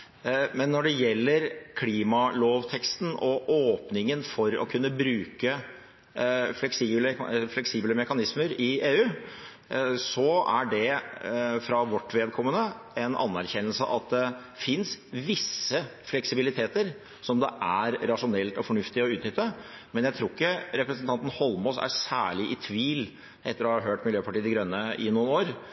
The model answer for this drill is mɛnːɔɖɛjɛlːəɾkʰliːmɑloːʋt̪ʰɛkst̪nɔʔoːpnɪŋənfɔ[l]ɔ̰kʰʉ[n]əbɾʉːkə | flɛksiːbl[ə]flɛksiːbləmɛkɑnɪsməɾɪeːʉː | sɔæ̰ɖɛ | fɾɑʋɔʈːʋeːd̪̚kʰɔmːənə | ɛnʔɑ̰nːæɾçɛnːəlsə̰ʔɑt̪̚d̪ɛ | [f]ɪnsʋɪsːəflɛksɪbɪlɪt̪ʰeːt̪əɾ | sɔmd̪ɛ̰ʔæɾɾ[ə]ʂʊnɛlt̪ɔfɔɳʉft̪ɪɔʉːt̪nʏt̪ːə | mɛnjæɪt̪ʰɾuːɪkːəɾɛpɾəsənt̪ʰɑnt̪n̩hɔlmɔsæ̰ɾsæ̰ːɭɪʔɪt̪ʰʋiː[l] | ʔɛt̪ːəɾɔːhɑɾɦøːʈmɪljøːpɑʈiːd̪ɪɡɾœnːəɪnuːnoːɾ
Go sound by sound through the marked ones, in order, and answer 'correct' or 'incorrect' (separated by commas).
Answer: incorrect, incorrect, correct, correct, incorrect, correct